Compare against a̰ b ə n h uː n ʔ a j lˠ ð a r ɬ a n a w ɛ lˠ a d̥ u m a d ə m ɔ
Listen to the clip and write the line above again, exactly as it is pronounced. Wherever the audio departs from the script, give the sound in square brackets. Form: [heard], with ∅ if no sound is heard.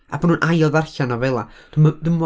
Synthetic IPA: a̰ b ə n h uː n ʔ a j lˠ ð a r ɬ a n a [v] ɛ lˠ a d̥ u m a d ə m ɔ